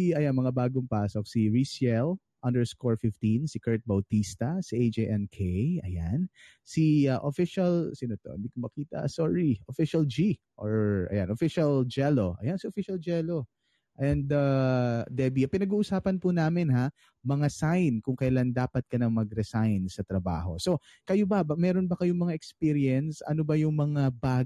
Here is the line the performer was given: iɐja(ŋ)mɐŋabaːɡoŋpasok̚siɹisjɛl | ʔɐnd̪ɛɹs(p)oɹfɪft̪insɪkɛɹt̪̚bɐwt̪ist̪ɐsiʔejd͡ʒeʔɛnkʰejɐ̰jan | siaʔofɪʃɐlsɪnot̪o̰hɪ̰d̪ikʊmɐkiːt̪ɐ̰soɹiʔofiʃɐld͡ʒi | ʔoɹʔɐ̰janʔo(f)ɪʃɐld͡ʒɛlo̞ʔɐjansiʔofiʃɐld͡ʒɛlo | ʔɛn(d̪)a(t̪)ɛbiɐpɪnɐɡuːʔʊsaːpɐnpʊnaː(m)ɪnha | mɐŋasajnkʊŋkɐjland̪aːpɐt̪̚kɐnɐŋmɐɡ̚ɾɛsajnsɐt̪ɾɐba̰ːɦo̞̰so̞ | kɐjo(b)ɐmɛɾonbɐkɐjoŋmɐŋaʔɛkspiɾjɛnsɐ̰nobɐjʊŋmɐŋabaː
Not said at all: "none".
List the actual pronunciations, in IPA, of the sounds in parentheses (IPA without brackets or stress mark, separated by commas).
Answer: n, k, f, d̪, d̪, m, b